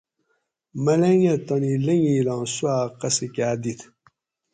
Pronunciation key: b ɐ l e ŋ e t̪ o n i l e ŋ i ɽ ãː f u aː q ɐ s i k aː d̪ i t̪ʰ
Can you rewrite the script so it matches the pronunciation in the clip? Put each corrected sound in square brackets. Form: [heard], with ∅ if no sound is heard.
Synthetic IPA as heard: [m] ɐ l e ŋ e t̪ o n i l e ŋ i [l] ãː [s] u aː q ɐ s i k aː d̪ i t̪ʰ